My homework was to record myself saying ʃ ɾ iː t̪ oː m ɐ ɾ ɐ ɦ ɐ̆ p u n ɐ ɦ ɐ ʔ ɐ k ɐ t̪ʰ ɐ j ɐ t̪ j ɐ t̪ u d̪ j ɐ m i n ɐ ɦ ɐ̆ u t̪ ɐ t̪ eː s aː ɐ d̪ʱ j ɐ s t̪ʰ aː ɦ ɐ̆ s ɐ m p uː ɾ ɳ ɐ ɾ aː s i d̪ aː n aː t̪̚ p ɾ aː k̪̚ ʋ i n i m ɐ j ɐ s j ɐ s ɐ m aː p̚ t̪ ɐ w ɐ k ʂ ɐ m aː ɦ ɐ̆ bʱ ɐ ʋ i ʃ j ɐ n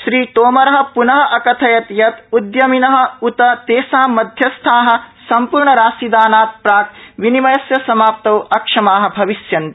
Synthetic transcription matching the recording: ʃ ɾ iː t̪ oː m ɐ ɾ ɐ ɦ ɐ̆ p u n ɐ ɦ ɐ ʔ ɐ k ɐ t̪ʰ ɐ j ɐ t̪ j ɐ t̪ u d̪ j ɐ m i n ɐ ɦ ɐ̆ u t̪ ɐ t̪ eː s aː ɐ d̪ʱ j ɐ s t̪ʰ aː ɦ ɐ̆ s ɐ m p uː ɾ ɳ ɐ ɾ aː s i d̪ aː n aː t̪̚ p ɾ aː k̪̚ ʋ i n i m ɐ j ɐ s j ɐ s ɐ m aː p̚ t̪ ɐ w ɐ k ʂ ɐ m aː ɦ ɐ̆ bʱ ɐ ʋ i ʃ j ɐ n

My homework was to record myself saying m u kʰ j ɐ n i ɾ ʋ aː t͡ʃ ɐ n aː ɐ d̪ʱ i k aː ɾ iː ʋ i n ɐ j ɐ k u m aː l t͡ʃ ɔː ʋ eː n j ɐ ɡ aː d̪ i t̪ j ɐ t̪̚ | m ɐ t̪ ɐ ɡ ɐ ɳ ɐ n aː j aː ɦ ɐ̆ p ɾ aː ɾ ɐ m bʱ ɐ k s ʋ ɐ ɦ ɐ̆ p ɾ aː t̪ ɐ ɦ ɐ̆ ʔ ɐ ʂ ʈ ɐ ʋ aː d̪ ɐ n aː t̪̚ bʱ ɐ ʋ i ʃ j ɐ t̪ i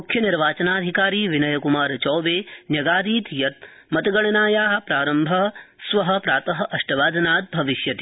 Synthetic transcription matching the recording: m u kʰ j ɐ n i ɾ ʋ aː t͡ʃ ɐ n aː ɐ d̪ʱ i k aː ɾ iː ʋ i n ɐ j ɐ k u m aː ɾ t͡ʃ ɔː ʋ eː n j ɐ ɡ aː d̪ iː t̪ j ɐ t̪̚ | m ɐ t̪ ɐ ɡ ɐ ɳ ɐ n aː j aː ɦ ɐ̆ p ɾ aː ɾ ɐ m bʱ ɐ s ʋ ɐ ɦ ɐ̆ p ɾ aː t̪ ɐ ɦ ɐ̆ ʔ ɐ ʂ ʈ ɐ ʋ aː d̪ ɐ n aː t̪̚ bʱ ɐ ʋ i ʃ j ɐ t̪ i

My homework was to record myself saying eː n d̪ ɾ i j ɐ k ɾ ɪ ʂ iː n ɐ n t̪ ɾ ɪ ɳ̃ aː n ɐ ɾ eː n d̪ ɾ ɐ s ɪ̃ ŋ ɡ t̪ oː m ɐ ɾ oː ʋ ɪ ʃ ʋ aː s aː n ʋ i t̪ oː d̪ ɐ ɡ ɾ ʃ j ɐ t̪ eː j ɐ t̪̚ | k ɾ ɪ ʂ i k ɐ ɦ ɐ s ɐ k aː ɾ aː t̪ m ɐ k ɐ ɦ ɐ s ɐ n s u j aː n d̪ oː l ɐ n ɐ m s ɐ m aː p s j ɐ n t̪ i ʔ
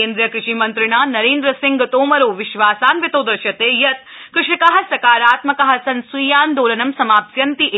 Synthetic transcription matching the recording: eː n d̪ ɾ i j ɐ k ɾ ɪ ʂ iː m ɐ n t̪ ɾ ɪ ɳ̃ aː n ɐ ɾ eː n d̪ ɾ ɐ s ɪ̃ ŋ ɡ t̪ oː m ɐ ɾ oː ʋ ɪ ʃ ʋ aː s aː n ʋ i t̪ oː d̪ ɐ ɾ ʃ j ɐ t̪ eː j ɐ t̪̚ | k ɾ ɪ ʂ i k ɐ ɦ ɐ s ɐ k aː ɾ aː t̪ m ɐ k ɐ ɦ ɐ s ɐ n s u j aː n d̪ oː l ɐ n ɐ m s ɐ m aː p s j ɐ n t̪ i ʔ

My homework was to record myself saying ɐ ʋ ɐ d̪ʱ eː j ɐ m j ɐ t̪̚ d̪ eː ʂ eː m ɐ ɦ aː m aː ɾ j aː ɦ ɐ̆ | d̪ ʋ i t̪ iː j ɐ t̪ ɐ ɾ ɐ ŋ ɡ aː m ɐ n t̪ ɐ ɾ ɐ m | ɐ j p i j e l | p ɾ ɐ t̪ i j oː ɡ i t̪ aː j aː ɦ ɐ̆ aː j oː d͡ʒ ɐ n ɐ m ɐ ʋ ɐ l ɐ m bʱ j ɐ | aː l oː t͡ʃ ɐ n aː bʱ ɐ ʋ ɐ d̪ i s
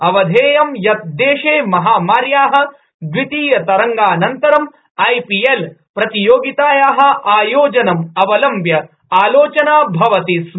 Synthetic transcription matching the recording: ɐ ʋ ɐ d̪ʱ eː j ɐ m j ɐ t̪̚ d̪ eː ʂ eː m ɐ ɦ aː m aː ɾ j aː ɦ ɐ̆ | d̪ ʋ i t̪ iː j ɐ t̪ ɐ ɾ ɐ ŋ ɡ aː n ɐ n t̪ ɐ ɾ ɐ m | ɐ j p i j e l | p ɾ ɐ t̪ i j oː ɡ i t̪ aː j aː ɦ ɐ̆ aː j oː d͡ʒ ɐ n ɐ m ɐ ʋ ɐ l ɐ m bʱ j ɐ | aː l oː t͡ʃ ɐ n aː bʱ ɐ ʋ ɐ t̪ i s

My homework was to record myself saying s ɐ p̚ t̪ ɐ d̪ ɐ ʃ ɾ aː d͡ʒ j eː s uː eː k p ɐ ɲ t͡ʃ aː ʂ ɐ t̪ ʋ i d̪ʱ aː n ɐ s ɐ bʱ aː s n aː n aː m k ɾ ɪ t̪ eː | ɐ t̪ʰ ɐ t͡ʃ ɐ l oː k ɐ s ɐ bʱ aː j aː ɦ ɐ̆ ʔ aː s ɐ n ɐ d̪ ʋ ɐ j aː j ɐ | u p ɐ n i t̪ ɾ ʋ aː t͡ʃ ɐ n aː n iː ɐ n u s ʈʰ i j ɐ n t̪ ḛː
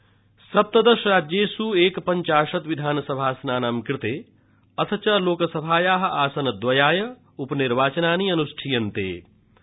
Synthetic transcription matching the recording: s ɐ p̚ t̪ ɐ d̪ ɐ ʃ ɾ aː d͡ʒ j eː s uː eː k p ɐ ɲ t͡ʃ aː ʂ ɐ t̪ ʋ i d̪ʱ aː n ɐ s ɐ bʱ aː s n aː n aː m k ɾ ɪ t̪ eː | ɐ t̪ʰ ɐ t͡ʃ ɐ l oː k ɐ s ɐ bʱ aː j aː ɦ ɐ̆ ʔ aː s ɐ n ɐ d̪ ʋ ɐ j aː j ɐ | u p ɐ n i ɾ ʋ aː t͡ʃ ɐ n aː n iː ɐ n u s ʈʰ i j ɐ n t̪ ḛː

